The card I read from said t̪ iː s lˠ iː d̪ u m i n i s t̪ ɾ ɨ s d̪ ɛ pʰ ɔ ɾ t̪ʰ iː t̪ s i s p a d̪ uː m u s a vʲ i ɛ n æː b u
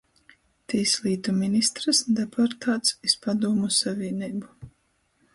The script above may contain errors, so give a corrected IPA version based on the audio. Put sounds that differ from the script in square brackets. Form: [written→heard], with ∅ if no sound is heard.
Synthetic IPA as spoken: t̪ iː s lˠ iː [d̪→t̪] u m i n i s t̪ ɾ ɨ s d̪ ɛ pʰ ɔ ɾ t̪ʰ [iː→aː] t̪ s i s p a d̪ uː m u s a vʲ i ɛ n [æː→iː] b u